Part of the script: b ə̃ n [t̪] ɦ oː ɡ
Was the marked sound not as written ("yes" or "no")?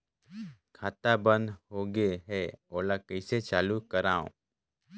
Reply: yes